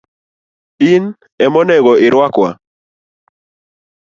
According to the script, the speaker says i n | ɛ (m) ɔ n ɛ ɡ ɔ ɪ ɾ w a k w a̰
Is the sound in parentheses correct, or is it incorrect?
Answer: correct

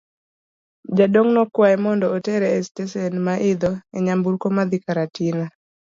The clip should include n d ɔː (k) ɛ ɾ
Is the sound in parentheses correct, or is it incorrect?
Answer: incorrect: t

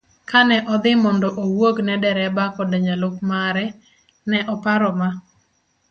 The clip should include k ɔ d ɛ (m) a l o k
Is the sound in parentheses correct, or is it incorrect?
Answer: incorrect: ɲ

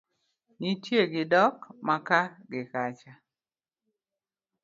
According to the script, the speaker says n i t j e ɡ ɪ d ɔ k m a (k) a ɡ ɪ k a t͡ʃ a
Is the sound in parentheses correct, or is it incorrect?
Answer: correct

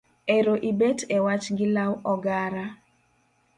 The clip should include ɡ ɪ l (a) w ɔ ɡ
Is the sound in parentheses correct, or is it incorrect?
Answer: correct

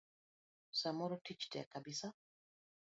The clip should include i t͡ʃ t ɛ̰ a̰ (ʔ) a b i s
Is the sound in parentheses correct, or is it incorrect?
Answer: incorrect: k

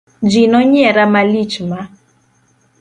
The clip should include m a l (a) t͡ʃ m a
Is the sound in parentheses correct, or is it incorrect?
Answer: incorrect: i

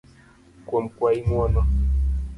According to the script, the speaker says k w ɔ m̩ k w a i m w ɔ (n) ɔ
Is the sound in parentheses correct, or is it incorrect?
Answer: correct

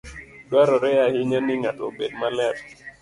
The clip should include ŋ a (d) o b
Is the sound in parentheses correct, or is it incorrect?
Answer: incorrect: t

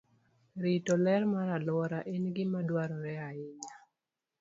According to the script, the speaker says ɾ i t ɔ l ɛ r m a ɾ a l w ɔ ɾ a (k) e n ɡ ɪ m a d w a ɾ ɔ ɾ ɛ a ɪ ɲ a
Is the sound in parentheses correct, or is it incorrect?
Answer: incorrect: ʔ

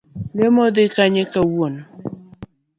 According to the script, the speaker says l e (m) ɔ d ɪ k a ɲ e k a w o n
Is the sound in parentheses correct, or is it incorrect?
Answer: correct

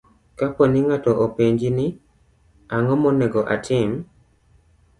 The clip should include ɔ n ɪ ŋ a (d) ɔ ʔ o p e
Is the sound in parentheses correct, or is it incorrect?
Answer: incorrect: t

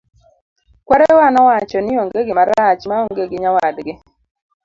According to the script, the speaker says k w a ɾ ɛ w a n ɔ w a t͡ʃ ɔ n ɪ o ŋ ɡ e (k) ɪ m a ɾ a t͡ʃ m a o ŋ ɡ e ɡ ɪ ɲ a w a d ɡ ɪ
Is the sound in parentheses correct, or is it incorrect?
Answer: incorrect: ɡ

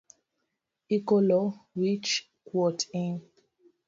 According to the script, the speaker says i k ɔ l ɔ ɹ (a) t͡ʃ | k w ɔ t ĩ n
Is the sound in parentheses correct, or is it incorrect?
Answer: incorrect: i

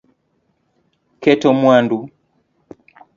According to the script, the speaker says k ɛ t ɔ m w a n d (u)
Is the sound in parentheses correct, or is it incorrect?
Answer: correct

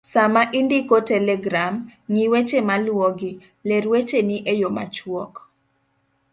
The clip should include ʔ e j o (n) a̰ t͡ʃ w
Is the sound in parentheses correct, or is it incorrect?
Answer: incorrect: m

